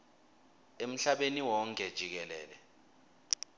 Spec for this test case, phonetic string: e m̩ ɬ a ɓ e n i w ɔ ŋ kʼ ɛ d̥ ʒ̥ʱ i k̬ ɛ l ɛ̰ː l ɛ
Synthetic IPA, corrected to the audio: e m̩ ɬ a ɓ e n i w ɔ ŋ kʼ ɛ d̥ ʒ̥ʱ i k̬ ɛ l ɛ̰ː l ɛ